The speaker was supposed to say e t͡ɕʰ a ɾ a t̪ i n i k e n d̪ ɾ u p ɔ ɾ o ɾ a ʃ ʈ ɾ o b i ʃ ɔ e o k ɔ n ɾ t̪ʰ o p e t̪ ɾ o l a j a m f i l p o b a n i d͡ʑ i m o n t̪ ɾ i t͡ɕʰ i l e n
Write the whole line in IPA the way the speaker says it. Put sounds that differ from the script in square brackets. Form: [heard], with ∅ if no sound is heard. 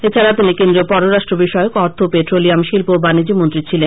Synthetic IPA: e t͡ɕʰ a ɾ a t̪ i n i k e n d̪ ɾ [o] p ɔ ɾ o ɾ a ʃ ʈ ɾ o b i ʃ ɔ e o k ɔ [∅] ɾ t̪ʰ o p e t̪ ɾ o l [i] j a m [ʃ] i l p o b a n i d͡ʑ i m o n t̪ ɾ i t͡ɕʰ i l e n